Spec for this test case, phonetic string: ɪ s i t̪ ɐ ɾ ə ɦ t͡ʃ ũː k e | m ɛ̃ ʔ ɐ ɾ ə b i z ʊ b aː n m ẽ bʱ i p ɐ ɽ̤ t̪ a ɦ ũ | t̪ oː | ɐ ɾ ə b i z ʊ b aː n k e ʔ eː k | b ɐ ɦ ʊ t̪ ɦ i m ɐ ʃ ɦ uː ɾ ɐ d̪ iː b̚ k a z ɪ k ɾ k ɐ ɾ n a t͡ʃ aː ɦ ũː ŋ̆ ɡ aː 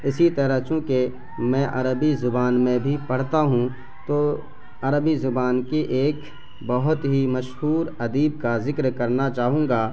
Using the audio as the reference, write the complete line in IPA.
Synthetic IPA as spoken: ɪ s i t̪ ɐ ɾ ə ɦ t͡ʃ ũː k e | m ɛ̃ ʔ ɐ ɾ ə b i z ʊ b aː n m ẽ bʱ i p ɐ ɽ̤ t̪ a ɦ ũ | t̪ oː | ɐ ɾ ə b i z ʊ b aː n k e ʔ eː k | b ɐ ɦ ʊ t̪ ɦ i m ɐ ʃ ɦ uː ɾ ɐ d̪ iː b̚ k a z ɪ k ɾ k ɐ ɾ n a t͡ʃ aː ɦ ũː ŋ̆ ɡ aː